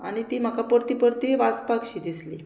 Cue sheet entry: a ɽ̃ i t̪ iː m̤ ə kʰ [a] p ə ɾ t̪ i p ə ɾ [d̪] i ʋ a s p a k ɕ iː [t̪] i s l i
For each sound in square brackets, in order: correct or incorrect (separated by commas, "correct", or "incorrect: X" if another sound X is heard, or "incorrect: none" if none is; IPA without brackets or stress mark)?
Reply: correct, incorrect: t̪, incorrect: d̪